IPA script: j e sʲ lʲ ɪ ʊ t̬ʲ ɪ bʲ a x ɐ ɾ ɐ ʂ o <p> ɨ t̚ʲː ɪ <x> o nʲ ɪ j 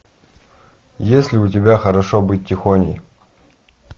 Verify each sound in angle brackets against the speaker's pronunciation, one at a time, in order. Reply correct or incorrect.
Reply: incorrect: b, correct

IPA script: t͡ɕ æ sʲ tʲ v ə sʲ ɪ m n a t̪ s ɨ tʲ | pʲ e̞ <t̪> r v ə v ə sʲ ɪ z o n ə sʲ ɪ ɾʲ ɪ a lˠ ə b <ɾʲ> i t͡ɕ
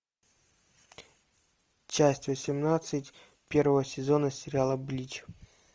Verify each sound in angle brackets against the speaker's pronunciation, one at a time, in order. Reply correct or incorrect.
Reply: incorrect: none, incorrect: lʲ

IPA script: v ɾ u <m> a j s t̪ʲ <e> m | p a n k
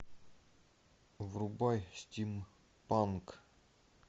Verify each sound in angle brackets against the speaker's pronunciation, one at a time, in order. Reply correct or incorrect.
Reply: incorrect: b, incorrect: i

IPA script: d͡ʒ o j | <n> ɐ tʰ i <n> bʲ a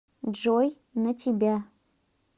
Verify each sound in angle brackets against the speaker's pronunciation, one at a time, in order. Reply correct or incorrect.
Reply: correct, incorrect: none

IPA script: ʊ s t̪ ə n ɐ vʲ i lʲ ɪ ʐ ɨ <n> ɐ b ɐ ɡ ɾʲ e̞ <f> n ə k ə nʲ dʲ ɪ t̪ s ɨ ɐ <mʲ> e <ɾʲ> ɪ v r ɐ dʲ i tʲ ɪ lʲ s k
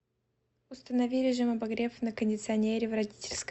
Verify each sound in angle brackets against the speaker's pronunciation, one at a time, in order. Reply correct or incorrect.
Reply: incorrect: m, correct, incorrect: nʲ, correct

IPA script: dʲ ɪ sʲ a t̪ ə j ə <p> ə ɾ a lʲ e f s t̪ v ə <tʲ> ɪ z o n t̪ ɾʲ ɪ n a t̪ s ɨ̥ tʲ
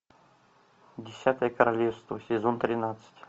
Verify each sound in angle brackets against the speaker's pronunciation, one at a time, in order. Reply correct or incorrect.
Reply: incorrect: k, incorrect: sʲ

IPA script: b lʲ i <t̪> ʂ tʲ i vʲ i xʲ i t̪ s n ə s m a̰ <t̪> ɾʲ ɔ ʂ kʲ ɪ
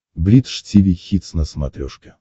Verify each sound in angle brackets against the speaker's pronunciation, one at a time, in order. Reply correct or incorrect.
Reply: correct, correct

